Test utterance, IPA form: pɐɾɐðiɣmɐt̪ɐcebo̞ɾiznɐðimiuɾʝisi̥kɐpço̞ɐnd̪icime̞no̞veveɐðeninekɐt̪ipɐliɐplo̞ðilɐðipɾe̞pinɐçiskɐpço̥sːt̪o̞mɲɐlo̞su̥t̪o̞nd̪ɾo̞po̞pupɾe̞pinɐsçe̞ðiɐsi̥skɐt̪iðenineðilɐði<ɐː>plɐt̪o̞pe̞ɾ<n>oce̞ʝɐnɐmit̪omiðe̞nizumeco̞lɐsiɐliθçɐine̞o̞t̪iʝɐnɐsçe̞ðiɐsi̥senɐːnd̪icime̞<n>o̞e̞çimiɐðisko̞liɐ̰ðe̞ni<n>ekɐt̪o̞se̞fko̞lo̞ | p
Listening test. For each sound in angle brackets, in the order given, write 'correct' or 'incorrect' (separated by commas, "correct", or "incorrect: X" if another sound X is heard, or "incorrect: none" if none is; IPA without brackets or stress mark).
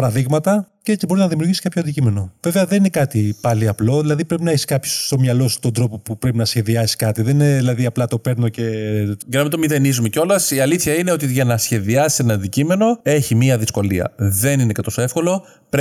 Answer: incorrect: ɐ, correct, correct, correct